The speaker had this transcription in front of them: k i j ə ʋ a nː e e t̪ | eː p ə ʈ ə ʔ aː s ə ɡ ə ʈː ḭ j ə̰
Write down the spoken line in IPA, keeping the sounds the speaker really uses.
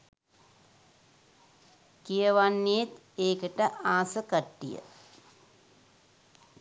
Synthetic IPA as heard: k i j ə ʋ a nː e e t̪ | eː k ə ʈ ə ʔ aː s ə k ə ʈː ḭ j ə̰